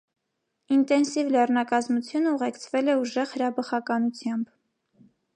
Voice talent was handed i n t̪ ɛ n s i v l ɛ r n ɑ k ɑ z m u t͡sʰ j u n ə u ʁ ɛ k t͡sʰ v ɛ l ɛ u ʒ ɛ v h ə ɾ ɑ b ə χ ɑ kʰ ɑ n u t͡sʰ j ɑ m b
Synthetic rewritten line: i n t̪ ɛ n s i v l ɛ r n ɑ k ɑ z m u t͡sʰ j u n ə u ʁ ɛ k t͡sʰ v ɛ l ɛ u ʒ ɛ ʁ h ə ɾ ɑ b ə χ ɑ k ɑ n u t͡sʰ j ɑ m b